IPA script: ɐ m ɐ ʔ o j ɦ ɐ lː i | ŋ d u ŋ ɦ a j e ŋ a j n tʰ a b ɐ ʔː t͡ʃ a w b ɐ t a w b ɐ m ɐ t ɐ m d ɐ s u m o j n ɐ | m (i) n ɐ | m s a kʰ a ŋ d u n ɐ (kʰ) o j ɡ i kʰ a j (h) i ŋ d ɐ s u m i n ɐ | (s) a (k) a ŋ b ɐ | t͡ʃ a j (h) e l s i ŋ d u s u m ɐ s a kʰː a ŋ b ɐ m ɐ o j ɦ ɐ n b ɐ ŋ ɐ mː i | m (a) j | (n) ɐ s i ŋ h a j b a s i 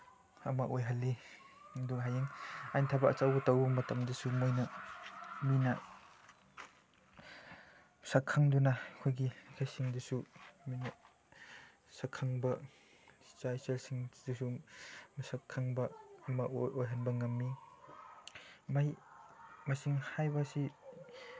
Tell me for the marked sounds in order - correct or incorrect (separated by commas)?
correct, correct, incorrect, correct, incorrect, incorrect, correct, incorrect